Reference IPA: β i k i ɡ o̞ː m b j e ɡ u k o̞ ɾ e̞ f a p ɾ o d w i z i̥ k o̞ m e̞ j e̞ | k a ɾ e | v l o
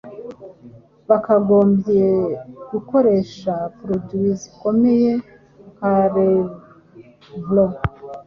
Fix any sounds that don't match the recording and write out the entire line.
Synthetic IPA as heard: β a k a ɡ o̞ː m b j e ɡ u k o̞ ɾ e̞ ʃ a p ɾ o d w i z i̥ k o̞ m e̞ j e̞ | k a ɾ e | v l o